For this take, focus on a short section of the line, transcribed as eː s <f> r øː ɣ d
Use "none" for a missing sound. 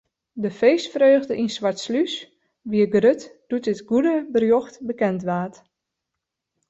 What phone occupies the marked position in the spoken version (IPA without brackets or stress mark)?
f